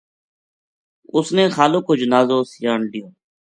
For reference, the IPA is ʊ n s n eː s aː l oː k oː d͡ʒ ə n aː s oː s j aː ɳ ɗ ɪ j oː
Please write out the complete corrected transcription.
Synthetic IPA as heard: ʊ s n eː x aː l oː k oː d͡ʒ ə n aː z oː s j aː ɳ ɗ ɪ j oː